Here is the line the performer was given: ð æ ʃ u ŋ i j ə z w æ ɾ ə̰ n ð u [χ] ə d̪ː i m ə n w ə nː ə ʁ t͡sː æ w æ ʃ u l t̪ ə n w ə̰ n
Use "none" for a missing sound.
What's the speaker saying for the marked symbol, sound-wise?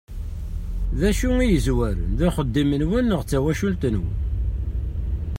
χ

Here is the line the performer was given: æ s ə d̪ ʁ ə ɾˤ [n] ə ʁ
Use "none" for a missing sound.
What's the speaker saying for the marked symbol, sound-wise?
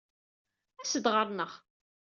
n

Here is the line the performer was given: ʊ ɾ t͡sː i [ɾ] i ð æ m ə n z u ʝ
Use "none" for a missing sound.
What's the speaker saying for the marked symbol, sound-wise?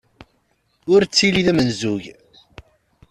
l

